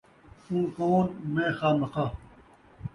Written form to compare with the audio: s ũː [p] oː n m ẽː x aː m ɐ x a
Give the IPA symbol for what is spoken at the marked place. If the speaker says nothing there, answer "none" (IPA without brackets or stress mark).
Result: k